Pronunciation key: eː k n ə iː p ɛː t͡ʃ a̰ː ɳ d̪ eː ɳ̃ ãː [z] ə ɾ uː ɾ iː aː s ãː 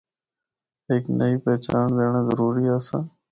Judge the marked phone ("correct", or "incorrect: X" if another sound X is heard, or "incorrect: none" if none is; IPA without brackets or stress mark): correct